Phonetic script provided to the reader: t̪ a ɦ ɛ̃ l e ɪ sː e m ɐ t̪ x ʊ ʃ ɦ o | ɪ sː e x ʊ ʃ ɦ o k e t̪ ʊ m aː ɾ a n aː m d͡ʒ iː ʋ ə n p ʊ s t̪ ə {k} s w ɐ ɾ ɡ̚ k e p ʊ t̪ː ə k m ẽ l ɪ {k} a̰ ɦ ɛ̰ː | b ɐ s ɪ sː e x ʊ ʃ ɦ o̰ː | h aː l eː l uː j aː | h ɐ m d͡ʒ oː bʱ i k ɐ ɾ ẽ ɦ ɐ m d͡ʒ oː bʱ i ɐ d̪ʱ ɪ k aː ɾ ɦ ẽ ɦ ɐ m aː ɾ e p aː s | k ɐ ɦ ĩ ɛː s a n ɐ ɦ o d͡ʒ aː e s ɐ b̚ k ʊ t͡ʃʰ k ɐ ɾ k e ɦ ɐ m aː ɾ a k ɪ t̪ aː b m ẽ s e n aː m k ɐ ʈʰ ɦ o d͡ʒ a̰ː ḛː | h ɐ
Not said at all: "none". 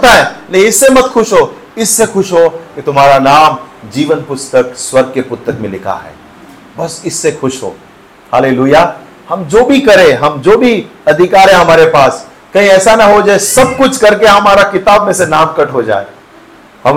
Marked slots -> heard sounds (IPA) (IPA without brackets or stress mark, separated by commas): k, kʰ